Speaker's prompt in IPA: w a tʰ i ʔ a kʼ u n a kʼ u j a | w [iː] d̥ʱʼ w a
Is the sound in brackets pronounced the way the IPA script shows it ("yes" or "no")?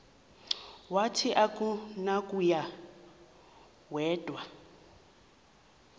no